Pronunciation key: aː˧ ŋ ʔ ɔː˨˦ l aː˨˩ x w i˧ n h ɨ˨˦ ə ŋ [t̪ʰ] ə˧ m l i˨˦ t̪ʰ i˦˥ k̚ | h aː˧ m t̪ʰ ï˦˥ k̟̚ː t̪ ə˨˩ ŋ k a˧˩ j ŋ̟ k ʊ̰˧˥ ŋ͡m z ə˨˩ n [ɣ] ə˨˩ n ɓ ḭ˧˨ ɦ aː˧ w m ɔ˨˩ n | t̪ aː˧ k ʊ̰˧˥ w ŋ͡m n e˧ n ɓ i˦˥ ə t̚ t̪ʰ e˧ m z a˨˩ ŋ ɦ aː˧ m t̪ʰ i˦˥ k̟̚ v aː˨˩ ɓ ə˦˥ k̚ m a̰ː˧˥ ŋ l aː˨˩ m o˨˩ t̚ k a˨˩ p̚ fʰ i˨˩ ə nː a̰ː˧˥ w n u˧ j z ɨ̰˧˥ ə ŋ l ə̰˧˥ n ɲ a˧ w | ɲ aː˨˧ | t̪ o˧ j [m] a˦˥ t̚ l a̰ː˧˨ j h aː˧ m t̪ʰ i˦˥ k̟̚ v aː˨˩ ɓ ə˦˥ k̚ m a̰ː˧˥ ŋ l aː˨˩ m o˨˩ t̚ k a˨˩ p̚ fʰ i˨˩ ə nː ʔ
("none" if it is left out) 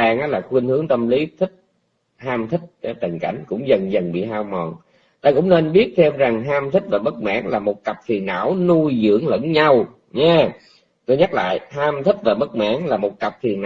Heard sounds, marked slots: t̪, z, ɲ

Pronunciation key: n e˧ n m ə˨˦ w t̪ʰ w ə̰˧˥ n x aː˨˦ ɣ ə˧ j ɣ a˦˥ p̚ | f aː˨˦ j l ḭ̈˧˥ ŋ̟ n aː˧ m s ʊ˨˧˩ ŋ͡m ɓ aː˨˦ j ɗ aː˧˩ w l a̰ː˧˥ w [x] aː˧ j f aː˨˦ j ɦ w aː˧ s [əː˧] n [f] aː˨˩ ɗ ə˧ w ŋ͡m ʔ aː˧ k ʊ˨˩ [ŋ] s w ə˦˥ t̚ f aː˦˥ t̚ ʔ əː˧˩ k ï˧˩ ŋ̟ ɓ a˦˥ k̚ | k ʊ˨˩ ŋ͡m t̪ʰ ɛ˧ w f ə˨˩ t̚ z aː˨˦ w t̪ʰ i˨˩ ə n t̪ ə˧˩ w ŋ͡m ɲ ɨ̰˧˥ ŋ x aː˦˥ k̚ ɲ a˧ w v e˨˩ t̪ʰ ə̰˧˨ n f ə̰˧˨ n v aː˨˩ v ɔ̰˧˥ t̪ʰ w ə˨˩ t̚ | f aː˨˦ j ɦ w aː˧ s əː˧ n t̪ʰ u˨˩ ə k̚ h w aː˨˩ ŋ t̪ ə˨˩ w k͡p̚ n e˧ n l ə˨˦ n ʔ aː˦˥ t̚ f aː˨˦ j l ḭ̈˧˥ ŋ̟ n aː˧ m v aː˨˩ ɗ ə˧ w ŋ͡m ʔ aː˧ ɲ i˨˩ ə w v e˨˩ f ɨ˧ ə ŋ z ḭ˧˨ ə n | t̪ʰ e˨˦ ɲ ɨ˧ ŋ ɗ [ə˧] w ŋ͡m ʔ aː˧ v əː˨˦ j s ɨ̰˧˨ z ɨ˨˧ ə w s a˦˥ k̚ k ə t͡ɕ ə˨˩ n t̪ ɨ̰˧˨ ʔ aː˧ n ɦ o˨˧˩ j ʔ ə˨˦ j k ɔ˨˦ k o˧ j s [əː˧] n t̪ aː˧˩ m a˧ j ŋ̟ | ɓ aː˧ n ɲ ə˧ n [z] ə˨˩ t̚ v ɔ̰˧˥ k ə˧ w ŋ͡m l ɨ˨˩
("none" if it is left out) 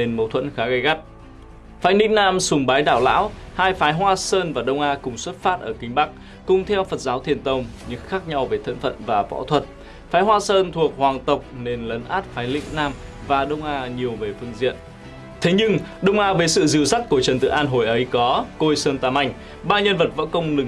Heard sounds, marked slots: h, əː˧, v, ŋ͡m, ə˧, əː˧, v

